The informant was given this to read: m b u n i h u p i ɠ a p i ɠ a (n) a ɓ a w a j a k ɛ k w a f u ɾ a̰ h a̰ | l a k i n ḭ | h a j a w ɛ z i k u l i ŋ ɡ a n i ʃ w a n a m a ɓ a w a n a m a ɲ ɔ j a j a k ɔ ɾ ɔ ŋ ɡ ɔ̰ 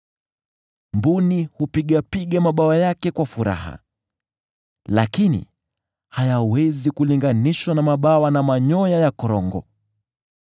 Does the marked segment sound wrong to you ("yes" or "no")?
yes